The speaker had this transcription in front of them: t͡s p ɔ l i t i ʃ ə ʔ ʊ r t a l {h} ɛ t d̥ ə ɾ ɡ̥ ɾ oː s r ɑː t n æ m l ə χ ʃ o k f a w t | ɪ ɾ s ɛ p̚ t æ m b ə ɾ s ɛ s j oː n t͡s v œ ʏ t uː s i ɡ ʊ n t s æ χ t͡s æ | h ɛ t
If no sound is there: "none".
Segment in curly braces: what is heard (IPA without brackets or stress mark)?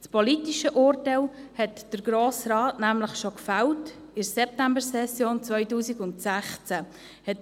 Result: h